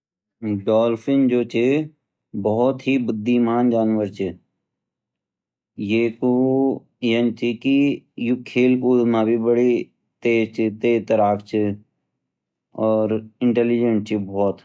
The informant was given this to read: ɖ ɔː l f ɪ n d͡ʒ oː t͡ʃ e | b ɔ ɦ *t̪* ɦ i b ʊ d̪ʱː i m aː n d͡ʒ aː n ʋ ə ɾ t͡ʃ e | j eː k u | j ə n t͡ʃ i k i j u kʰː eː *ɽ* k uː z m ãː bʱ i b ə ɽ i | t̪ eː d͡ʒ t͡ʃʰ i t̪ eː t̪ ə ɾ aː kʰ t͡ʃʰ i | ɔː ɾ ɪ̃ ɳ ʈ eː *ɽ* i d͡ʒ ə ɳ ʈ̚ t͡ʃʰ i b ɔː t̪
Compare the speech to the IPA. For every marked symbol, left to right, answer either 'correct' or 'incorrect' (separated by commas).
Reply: correct, incorrect, incorrect